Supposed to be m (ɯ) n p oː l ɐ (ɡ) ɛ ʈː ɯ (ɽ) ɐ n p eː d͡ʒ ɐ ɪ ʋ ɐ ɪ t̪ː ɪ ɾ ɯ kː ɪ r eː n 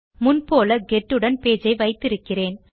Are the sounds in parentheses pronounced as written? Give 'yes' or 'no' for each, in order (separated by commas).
no, yes, yes